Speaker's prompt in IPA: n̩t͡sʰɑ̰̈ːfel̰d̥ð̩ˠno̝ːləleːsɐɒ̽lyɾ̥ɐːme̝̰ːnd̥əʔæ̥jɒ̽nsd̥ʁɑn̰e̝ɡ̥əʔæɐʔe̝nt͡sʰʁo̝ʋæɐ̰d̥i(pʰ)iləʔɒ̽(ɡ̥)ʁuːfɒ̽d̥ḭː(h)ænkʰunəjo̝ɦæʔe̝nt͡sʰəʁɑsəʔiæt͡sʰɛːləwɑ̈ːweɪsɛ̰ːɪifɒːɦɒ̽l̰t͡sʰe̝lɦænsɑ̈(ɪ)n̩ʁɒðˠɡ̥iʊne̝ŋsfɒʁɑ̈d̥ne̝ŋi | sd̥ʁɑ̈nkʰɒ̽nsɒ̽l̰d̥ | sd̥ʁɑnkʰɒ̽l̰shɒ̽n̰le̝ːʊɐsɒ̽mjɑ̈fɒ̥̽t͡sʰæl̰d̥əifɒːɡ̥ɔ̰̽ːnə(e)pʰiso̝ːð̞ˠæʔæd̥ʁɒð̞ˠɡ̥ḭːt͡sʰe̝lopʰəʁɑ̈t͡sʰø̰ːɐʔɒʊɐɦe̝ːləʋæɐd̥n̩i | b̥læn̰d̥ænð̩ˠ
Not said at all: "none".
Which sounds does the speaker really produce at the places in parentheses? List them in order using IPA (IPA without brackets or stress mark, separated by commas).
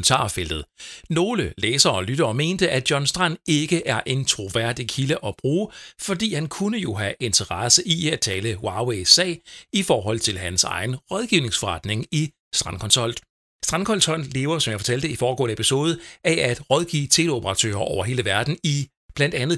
kʰ, b̥, h, ɪ, e